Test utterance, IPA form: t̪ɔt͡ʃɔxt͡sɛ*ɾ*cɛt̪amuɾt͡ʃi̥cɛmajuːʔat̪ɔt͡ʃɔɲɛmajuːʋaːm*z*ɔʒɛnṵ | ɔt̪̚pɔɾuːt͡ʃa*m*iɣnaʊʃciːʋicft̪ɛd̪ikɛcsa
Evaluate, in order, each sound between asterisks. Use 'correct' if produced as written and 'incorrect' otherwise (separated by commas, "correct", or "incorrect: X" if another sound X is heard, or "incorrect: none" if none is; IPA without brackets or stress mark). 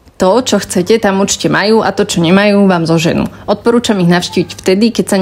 incorrect: none, correct, correct